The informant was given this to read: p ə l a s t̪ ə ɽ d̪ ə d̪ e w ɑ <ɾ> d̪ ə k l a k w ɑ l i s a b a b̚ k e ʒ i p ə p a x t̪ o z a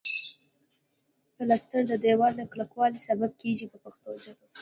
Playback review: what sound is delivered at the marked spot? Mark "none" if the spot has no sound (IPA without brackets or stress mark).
l